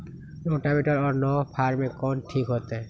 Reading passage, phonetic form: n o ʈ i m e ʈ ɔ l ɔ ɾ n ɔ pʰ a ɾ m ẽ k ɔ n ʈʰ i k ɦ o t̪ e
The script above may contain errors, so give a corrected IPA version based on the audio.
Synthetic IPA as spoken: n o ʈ a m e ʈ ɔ ɾ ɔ ɾ n ɔ pʰ a ɾ m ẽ k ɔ n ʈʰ i k ɦ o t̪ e

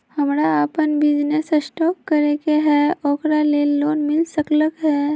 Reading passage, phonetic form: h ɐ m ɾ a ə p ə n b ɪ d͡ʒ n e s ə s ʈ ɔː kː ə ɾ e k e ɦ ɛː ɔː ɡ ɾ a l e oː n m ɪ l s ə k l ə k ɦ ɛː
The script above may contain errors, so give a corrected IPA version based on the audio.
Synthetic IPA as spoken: h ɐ m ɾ a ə p ə n b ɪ d͡ʒ n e s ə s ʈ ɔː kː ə ɾ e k e ɦ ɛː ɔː k ɾ a l e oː n m ɪ l s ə k l ə k ɦ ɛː

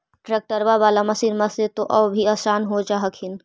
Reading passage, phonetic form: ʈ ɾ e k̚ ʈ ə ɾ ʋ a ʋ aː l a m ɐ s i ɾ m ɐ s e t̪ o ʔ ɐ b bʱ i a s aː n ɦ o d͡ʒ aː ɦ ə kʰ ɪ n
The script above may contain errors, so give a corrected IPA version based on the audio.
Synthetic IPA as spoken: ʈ ɾ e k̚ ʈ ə ɾ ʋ a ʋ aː l a m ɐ s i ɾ m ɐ s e t̪ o ʔ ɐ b bʱ i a s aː n ɦ o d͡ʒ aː ɦ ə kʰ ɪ n

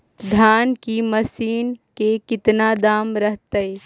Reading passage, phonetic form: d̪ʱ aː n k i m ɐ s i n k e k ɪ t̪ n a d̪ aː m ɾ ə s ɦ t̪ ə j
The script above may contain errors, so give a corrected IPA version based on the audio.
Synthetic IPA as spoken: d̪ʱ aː n k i m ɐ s iː n k e k ɪ t̪ n a d̪ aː m ɾ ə ɦ t̪ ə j

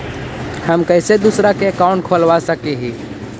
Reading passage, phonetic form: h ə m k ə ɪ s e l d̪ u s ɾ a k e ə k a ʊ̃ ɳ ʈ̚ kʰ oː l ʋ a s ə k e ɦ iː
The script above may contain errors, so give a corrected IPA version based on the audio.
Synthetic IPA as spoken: h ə m k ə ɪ s e d̪ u s ɾ a k e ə k a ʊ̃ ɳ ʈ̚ kʰ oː l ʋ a s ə k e ɦ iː

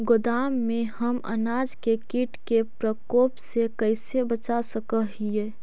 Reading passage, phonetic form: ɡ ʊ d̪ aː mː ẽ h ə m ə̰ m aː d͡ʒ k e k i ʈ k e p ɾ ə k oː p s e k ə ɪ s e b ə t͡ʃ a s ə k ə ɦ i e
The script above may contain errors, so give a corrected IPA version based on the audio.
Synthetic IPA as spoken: ɡ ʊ d̪ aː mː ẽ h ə m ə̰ n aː d͡ʒ k e k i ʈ k e p ɾ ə k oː p s e k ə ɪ s e b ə t͡ʃ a s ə k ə ɦ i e

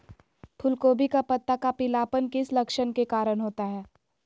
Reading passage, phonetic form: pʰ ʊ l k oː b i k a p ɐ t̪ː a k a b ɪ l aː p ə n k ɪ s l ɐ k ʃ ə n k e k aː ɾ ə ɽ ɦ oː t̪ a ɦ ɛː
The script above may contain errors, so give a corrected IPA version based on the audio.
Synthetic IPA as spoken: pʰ ʊ l k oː b i k a p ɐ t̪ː a k a p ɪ l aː p ə n k ɪ s l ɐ k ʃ ə n k e k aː ɾ ə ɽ ɦ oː t̪ a ɦ ɛː

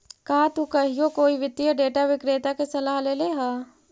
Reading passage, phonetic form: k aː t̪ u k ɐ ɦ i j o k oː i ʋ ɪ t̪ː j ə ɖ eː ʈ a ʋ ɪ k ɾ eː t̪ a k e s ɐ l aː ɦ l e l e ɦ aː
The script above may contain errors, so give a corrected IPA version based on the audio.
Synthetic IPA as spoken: k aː t̪ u k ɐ ɦ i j o k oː i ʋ ɪ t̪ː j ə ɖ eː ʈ a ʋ ɪ k ɾ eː t̪ a k e s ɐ l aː ɦ l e l e ɦ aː

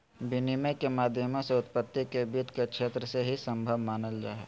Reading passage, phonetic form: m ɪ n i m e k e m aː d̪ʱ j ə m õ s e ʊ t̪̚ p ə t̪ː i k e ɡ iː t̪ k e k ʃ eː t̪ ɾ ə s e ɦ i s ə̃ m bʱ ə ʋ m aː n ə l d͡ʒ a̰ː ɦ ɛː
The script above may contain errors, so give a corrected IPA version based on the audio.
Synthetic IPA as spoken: b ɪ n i m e k e m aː d̪ʱ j ə m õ s e ʊ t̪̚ p ə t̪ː i k e b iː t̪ k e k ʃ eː t̪ ɾ ə s e ɦ i s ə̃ m bʱ ə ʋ m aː n ə l d͡ʒ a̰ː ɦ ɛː

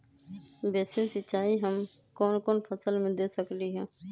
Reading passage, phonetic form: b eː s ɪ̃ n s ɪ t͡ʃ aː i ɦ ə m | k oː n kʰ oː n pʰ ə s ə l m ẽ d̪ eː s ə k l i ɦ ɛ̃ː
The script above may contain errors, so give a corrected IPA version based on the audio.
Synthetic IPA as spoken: b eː s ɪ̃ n s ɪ t͡ʃ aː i ɦ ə m | k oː n k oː n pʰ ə s ə l m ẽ d̪ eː s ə k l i ɦ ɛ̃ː

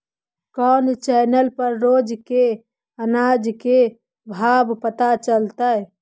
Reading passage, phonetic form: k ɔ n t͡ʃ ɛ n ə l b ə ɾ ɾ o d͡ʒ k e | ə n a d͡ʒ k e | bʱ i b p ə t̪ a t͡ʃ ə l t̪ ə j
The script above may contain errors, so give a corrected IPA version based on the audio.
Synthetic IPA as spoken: k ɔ n t͡ʃ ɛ n ə l p ə ɾ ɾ o d͡ʒ k e | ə n a d͡ʒ k e | bʱ a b p ə t̪ a t͡ʃ ə l t̪ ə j

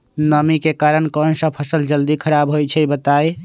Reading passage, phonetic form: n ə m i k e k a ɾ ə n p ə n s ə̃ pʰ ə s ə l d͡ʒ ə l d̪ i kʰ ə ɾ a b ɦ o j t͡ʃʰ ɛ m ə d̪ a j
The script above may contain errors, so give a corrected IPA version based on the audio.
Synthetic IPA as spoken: n ə m i k e k a ɾ ə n k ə n s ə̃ pʰ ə s ə l d͡ʒ ə l d̪ i kʰ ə ɾ a b ɦ o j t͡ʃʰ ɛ b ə t̪ a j

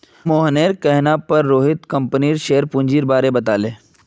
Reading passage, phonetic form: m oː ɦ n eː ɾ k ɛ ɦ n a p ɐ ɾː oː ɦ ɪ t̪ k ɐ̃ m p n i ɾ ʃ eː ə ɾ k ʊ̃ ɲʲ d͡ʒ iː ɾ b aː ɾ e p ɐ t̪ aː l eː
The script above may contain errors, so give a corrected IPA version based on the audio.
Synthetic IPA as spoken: m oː ɦ n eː ɾ k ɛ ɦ n a p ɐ ɾː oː ɦ ɪ t̪ k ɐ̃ m p n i ɾ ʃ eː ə ɾ p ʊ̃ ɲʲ d͡ʒ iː ɾ b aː ɾ e b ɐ t̪ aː l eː

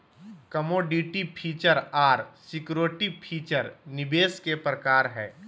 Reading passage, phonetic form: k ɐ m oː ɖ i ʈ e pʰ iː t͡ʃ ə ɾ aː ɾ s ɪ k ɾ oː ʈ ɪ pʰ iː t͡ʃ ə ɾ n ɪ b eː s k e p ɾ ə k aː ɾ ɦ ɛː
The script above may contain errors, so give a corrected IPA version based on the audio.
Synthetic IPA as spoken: k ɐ m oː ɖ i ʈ i pʰ iː t͡ʃ ə ɾ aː ɾ s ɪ k ɾ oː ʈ i pʰ iː t͡ʃ ə ɾ n ɪ b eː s k e p ɾ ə k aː ɾ ɦ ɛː

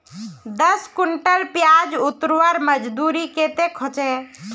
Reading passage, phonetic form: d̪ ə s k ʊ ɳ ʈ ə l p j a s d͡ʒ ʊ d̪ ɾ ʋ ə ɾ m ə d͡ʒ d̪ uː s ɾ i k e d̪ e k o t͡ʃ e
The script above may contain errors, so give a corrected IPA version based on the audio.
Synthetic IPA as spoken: d̪ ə s k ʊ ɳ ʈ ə l p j a d͡ʒ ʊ t̪ ɾ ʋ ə ɾ m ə d͡ʒ d̪ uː ɾ i k e t̪ e kʰ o t͡ʃ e

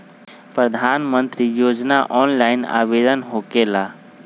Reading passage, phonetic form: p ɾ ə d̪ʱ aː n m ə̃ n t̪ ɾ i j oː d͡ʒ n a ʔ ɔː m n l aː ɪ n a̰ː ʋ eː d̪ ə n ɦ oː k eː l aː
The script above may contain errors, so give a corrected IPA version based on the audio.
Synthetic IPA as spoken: p ɾ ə d̪ʱ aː n m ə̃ n t̪ ɾ i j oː d͡ʒ n a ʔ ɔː n l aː ɪ n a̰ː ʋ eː d̪ ə n ɦ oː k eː l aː

